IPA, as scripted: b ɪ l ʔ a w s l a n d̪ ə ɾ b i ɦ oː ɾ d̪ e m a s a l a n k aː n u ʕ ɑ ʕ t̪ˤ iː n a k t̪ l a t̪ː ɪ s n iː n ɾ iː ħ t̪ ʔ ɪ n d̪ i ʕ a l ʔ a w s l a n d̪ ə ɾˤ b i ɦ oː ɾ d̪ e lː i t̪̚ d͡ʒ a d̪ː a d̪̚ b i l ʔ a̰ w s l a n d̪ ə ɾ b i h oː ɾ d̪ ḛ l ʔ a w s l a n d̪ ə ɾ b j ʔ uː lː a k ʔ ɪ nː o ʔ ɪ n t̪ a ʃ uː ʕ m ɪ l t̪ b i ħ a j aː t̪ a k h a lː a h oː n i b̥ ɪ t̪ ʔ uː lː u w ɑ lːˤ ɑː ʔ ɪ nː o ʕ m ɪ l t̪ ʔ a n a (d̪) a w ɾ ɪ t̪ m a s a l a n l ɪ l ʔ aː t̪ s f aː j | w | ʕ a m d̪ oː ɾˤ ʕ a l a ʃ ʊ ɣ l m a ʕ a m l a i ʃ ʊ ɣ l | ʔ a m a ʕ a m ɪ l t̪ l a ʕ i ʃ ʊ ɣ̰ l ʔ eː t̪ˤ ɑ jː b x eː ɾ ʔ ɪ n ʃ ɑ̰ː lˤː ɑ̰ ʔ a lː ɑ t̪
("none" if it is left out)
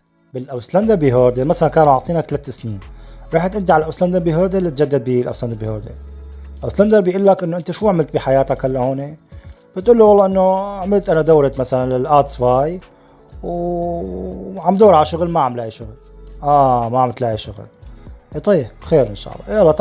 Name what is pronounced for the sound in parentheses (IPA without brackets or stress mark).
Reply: d̪